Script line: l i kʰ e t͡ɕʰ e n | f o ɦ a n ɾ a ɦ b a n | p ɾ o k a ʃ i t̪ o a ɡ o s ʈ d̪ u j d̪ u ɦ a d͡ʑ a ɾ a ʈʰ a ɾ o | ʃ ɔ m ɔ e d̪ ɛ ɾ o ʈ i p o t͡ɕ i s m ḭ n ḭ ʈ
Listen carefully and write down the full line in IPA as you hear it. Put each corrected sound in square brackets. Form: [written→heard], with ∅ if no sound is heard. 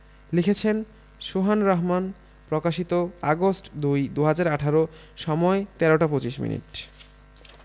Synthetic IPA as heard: l i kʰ e t͡ɕʰ e n | [f→ʃ] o ɦ a n ɾ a ɦ [b→m] a n | p ɾ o k a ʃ i t̪ o a ɡ o s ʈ d̪ u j d̪ u ɦ a d͡ʑ a ɾ a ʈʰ a ɾ o | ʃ ɔ m ɔ e [d̪→t̪] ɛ ɾ o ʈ [i→a] p o t͡ɕ i [s→ʃ] m ḭ n ḭ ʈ